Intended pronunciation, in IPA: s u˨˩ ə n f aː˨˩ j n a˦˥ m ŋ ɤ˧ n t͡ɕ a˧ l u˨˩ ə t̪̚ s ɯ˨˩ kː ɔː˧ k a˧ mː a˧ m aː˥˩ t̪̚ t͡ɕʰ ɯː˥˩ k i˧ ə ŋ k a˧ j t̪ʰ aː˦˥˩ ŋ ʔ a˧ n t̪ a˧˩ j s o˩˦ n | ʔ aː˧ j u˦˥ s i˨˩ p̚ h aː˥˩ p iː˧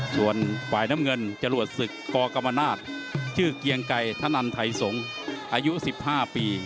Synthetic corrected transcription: s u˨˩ ə n f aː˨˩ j n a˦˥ m ŋ ɤ˧ n t͡ɕ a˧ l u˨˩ ə t̪̚ s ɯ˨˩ kː ɔː˧ k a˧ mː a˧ n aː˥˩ t̪̚ t͡ɕʰ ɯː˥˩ k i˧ ə ŋ k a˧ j t̪ʰ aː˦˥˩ n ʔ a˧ n t̪ʰ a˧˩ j s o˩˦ ŋ | ʔ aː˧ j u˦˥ s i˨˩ p̚ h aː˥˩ p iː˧

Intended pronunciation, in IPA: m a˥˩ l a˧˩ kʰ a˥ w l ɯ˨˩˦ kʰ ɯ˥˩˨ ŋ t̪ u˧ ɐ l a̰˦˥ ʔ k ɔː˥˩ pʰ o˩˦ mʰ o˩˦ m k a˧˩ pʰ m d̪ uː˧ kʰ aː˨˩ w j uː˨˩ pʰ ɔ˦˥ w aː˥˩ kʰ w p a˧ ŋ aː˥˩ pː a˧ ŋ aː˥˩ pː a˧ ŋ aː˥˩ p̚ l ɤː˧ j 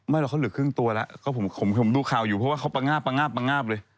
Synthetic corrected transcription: m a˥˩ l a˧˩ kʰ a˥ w l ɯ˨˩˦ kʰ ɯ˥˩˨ ŋ t̪ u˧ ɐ l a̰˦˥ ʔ k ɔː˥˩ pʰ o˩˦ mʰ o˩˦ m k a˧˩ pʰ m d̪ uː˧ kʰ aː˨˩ w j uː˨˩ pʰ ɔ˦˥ w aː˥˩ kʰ w p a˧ ŋ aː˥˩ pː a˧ ŋ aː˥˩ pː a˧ ŋ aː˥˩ p̚ l ɤː˧ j

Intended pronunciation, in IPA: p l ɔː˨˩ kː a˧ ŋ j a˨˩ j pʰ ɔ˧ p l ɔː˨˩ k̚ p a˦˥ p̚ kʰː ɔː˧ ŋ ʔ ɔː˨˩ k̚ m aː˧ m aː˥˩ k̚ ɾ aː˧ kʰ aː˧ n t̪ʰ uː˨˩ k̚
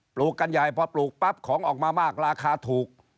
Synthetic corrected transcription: p l uː˨˩ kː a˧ n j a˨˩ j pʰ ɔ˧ p l uː˨˩ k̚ p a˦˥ p̚ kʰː ɔː˩˦ ŋ ʔ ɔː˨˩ k̚ m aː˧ m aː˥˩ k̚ ɾ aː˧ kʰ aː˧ t̪ʰ uː˨˩ k̚

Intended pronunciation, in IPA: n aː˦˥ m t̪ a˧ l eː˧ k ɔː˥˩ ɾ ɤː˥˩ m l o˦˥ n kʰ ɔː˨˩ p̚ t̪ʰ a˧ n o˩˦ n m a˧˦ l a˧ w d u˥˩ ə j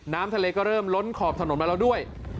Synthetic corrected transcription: n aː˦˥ m t̪ʰ a˧ l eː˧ k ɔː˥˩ ɾ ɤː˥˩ m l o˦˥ n kʰ ɔː˨˩ p̚ t̪ʰ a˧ n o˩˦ n m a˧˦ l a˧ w d u˥˩ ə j

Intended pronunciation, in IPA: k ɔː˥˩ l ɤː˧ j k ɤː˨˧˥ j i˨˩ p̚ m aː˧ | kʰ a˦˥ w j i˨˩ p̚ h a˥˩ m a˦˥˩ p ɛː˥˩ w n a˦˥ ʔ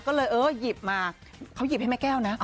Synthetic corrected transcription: k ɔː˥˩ l ɤː˧ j ʔ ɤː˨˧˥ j i˨˩ p̚ m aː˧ | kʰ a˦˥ w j i˨˩ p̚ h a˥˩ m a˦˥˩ k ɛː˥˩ w n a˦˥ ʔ

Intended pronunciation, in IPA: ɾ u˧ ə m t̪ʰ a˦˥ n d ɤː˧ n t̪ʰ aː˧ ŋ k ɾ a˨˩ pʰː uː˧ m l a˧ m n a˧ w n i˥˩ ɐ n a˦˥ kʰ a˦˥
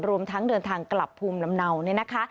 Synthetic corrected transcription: ɾ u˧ ə m t̪ʰ a˦˥ ŋ d ɤː˧ n t̪ʰ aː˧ ŋ k l a˨˩ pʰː uː˧ m l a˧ m n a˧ w n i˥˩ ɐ n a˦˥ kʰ a˦˥

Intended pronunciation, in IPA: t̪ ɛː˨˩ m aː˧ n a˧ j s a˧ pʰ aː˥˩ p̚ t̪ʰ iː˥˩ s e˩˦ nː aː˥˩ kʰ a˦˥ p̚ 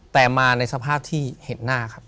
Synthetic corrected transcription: t̪ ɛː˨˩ m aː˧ n a˧ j s a˧ pʰ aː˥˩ p̚ t̪ʰ iː˥˩ h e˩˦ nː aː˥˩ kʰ a˦˥ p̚

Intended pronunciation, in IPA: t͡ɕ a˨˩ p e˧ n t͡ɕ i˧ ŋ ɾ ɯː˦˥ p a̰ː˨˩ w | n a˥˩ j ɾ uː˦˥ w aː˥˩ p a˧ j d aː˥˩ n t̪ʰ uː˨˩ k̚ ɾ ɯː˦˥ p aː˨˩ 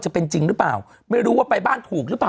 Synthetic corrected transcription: t͡ɕ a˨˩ p e˧ n t͡ɕ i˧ ŋ ɾ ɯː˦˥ p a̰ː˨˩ w | m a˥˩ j ɾ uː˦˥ w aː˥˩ p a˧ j b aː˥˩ n t̪ʰ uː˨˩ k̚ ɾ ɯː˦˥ p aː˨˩

